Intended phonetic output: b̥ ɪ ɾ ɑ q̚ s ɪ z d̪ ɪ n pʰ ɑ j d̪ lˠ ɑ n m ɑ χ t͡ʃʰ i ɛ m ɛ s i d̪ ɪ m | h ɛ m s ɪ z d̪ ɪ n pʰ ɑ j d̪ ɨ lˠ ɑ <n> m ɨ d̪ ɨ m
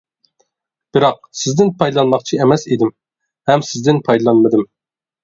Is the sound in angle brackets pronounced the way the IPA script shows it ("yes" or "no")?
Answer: yes